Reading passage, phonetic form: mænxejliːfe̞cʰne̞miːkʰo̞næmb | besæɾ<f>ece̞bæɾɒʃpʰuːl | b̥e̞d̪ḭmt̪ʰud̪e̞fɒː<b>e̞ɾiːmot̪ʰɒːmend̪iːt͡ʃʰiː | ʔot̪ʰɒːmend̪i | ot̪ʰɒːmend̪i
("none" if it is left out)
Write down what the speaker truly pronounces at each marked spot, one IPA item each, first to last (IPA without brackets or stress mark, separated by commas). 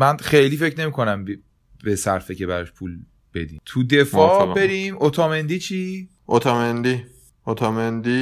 f, b